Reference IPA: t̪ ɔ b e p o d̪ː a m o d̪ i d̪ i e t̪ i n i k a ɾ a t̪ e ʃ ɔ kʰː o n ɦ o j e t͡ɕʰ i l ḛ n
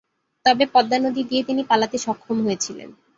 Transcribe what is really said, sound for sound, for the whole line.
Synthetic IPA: t̪ ɔ b e p ɔ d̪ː a n o d̪ i d̪ i e t̪ i n i p a l a t̪ e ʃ ɔ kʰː o m ɦ o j e t͡ɕʰ i l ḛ n